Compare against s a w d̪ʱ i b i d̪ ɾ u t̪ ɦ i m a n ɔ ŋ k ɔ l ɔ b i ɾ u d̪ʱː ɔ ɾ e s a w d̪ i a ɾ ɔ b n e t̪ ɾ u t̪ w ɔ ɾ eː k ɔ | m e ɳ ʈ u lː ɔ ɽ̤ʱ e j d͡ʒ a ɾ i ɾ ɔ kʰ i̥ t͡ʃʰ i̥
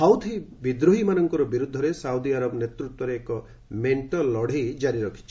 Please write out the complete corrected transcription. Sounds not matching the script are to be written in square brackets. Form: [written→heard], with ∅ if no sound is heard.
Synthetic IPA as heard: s a w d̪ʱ i b i d̪ ɾ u [t̪→∅] ɦ i m a n ɔ ŋ k ɔ [l→ɾ] ɔ b i ɾ u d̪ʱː ɔ ɾ e s a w d̪ i a ɾ ɔ b n e t̪ ɾ u t̪ w ɔ ɾ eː k ɔ | m e ɳ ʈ [u→ɔ] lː ɔ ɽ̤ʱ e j d͡ʒ a ɾ i ɾ ɔ kʰ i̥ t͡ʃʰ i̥